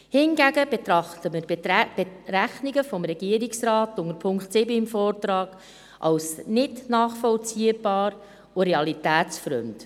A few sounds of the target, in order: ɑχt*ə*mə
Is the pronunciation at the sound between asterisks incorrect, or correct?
correct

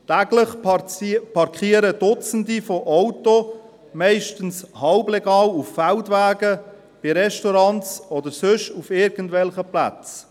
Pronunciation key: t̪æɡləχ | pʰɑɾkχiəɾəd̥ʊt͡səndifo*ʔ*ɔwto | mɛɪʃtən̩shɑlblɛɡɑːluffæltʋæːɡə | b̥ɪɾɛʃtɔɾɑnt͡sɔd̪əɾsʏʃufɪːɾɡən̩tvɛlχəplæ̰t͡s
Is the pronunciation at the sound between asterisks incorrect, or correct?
correct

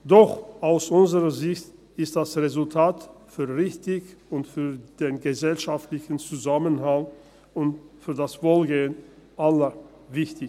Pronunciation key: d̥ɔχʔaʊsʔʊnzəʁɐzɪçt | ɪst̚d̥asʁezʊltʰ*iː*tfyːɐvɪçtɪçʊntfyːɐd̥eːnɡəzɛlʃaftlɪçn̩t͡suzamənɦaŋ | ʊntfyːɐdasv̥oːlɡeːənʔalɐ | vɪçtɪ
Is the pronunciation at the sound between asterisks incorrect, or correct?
incorrect: aː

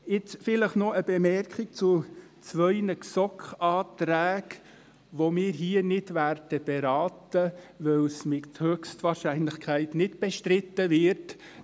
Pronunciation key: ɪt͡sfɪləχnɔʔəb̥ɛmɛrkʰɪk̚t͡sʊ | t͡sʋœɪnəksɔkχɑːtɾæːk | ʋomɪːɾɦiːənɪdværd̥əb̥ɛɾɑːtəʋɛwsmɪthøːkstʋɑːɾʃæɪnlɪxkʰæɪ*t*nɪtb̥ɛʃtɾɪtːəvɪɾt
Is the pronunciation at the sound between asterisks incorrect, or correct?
correct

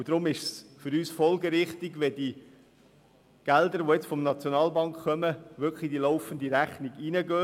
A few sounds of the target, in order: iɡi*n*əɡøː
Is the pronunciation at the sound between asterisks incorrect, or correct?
correct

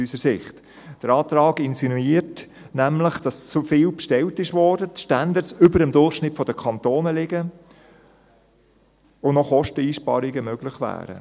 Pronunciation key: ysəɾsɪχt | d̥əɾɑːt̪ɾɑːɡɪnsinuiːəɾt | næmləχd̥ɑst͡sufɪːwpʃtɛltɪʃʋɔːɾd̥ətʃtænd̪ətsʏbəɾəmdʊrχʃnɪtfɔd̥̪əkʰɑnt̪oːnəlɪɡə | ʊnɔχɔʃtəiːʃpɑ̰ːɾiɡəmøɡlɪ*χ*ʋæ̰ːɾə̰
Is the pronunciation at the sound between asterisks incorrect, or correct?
correct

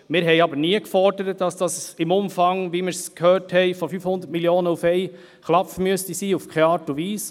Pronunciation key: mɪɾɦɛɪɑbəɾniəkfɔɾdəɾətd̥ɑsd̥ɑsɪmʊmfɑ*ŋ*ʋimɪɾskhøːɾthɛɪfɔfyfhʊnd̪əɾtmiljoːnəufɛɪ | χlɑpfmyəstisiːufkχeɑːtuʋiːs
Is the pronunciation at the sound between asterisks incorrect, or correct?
correct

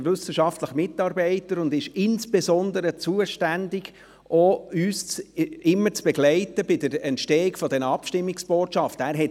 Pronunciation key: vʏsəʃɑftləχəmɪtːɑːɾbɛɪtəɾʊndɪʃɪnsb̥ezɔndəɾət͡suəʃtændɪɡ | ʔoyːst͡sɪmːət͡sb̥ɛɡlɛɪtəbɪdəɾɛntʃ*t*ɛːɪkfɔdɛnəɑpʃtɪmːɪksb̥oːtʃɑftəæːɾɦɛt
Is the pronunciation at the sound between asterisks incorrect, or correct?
correct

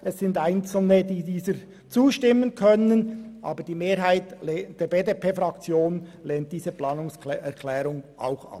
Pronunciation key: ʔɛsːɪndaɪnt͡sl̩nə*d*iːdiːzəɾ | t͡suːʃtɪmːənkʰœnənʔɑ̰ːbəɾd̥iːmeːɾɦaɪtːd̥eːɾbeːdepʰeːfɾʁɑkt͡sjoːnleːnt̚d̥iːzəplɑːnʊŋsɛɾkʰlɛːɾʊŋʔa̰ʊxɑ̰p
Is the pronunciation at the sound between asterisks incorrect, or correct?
correct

